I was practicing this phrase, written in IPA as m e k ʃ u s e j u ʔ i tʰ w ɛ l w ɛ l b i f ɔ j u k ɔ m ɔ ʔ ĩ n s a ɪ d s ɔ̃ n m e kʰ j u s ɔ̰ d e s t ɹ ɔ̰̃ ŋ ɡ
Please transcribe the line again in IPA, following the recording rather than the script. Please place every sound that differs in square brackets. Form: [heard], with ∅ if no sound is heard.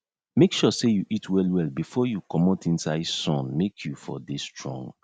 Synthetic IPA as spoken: m e k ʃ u s e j u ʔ i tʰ w ɛ l w ɛ l b i f ɔ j u k ɔ m ɔ [t] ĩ n s a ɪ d s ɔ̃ n m e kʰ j u [f] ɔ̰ d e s t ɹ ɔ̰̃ ŋ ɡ